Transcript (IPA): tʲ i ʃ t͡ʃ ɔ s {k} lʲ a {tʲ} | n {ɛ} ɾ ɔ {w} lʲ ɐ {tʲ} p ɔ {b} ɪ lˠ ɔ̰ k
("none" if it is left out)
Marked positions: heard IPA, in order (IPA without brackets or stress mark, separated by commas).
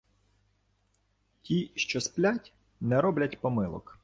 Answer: p, tʲ, ɛ, b, tʲ, m